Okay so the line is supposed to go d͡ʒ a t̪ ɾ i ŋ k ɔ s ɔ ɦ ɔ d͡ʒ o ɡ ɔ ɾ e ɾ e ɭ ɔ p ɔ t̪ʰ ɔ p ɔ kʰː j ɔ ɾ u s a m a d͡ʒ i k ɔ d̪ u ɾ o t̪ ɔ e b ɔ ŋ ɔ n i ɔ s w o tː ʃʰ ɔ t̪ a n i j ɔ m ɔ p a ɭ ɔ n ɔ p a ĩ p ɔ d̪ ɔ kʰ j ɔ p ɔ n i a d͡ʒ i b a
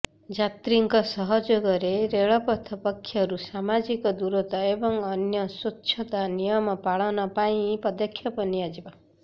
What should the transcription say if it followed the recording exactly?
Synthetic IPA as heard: d͡ʒ a t̪ ɾ i ŋ k ɔ s ɔ ɦ ɔ d͡ʒ o ɡ ɔ ɾ e ɾ e ɭ ɔ p ɔ t̪ʰ ɔ p ɔ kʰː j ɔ ɾ u s a m a d͡ʒ i k ɔ d̪ u ɾ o t̪ ɔ e b ɔ ŋ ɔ n j ɔ s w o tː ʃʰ ɔ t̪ a n i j ɔ m ɔ p a ɭ ɔ n ɔ p a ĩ p ɔ d̪ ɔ kʰ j ɔ p ɔ n i a d͡ʒ i b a